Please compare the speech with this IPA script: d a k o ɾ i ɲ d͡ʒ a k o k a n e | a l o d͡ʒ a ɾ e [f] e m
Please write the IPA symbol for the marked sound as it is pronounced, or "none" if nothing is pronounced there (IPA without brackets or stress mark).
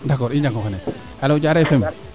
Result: f